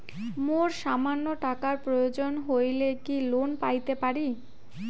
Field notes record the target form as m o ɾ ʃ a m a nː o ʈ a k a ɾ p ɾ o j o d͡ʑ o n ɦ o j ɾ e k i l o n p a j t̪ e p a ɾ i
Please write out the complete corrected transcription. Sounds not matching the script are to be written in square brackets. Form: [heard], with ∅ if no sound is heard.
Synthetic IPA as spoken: m o ɾ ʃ a m a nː o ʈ a k a ɾ p ɾ o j o d͡ʑ o n ɦ o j [l] e k i l o n p a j t̪ e p a ɾ i

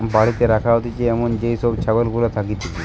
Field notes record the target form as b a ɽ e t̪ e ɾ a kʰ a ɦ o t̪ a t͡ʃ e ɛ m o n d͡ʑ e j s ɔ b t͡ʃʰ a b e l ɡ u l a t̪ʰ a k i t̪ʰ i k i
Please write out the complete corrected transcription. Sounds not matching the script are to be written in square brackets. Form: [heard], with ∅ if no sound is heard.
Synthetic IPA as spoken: b a ɽ [i] t̪ e ɾ a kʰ a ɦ o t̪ [i] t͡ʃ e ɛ m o n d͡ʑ e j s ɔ b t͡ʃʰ a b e l ɡ u l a t̪ʰ a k i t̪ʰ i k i

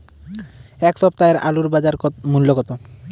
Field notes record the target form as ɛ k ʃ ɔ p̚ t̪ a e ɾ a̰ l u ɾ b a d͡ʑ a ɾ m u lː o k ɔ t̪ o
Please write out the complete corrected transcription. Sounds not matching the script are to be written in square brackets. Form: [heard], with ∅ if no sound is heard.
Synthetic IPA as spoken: ɛ k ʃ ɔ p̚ t̪ a e ɾ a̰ l u ɾ b a d͡ʑ a ɾ m u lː o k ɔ t̪ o

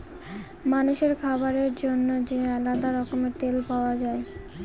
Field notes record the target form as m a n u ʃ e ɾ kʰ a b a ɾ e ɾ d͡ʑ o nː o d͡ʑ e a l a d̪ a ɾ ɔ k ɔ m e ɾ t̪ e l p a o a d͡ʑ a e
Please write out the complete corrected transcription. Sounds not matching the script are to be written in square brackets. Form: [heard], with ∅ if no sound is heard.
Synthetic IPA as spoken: m a n u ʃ e ɾ kʰ a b a ɾ e ɾ d͡ʑ o nː o d͡ʑ e a l a d̪ a ɾ ɔ k [o] m e ɾ t̪ e l p a o a d͡ʑ a e

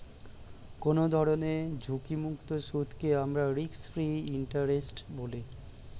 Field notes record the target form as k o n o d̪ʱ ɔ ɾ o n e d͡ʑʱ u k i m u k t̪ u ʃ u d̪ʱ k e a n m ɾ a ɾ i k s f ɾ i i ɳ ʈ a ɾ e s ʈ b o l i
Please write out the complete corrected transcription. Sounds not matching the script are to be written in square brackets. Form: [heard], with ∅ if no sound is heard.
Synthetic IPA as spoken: k o n o d̪ʱ ɔ ɾ o n e d͡ʑʱ u k i m u k t̪ [o] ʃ u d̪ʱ k e a [∅] m ɾ a ɾ i k s f ɾ i i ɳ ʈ a ɾ e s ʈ b o l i

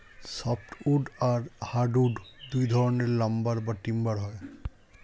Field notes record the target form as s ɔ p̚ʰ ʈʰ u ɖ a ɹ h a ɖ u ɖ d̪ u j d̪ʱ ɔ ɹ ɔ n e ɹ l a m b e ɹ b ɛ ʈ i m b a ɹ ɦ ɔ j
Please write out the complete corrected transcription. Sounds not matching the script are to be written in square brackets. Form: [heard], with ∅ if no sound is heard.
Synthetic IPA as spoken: s ɔ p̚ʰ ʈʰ u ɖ a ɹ h a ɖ u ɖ d̪ u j d̪ʱ ɔ ɹ ɔ n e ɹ l a m b [a] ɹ b [a] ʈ i m b a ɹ ɦ ɔ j

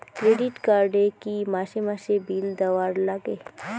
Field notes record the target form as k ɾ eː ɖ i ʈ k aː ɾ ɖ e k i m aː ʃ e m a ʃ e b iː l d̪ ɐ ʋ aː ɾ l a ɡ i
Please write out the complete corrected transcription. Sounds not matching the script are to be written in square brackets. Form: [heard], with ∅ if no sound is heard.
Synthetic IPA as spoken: k ɾ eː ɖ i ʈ k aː ɾ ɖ e k i m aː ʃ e m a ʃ e b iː l d̪ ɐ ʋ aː ɾ l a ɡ [e]

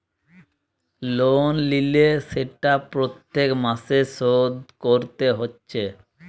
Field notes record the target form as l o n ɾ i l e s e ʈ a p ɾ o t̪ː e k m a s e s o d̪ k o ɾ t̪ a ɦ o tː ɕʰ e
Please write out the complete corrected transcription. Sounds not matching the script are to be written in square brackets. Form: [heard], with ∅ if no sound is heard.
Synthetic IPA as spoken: l o n [l] i l e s e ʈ a p ɾ o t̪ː e k m a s e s o d̪ k o ɾ t̪ [e] ɦ o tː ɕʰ e

